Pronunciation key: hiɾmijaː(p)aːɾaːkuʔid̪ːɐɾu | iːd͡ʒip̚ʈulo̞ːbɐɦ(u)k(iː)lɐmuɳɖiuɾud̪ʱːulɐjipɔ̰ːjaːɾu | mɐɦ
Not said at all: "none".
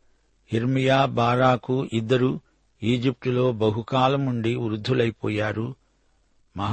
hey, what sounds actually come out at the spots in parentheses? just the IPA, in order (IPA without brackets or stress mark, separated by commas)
b, u, aː